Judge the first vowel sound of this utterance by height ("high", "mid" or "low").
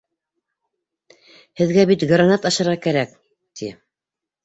mid